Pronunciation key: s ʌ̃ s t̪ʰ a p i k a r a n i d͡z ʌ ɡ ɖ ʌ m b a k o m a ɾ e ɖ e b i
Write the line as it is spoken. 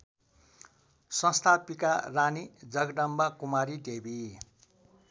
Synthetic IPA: s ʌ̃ s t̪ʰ a p i k a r a n i d͡z ʌ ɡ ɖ ʌ m b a k u m a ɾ i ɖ e b i